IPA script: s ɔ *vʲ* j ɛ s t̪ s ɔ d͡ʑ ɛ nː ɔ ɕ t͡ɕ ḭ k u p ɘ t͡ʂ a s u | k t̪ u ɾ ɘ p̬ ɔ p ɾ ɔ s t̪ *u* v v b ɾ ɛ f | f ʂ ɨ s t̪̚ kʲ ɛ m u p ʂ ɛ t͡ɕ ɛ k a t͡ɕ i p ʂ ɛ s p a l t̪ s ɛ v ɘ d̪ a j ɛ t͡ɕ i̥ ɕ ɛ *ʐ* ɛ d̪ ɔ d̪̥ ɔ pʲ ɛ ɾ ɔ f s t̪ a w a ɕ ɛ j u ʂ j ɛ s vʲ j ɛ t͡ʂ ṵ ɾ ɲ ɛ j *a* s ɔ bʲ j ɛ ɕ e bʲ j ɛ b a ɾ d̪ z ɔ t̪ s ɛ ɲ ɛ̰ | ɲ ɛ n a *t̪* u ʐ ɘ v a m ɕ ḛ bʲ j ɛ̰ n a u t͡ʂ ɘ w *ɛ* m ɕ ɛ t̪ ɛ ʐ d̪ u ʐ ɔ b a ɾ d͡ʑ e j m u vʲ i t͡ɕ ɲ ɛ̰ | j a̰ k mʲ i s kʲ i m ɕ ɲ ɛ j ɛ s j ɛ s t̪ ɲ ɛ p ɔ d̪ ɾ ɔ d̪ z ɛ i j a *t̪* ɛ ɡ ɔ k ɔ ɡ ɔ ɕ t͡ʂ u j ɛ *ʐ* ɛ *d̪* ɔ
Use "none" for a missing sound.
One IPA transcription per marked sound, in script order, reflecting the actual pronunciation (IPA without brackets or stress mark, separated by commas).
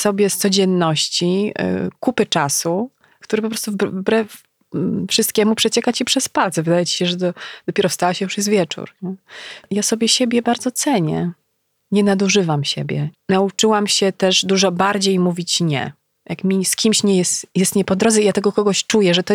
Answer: bʲ, u, ʐ, a, d̪, a, t̪, ʐ, t̪